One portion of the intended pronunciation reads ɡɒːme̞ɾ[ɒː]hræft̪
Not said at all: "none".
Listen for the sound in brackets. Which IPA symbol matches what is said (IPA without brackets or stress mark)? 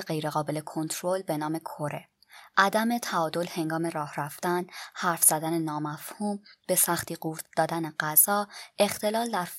ɒː